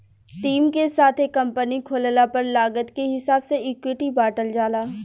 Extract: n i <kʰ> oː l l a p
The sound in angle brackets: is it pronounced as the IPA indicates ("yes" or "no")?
yes